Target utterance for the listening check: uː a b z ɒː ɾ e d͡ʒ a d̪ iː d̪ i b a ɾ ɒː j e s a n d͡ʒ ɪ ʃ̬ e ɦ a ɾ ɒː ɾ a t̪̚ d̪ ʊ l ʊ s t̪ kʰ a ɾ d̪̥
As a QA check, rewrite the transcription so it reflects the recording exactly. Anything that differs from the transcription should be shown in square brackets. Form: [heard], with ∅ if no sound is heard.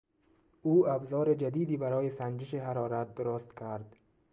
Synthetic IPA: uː a b z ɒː ɾ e d͡ʒ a d̪ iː d̪ i b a ɾ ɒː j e s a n d͡ʒ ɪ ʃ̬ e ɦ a ɾ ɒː ɾ a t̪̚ d̪ ʊ [ɾ] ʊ s t̪ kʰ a ɾ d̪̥